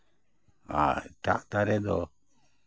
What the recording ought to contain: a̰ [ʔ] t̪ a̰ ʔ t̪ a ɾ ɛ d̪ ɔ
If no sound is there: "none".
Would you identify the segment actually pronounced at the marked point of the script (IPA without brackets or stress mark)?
none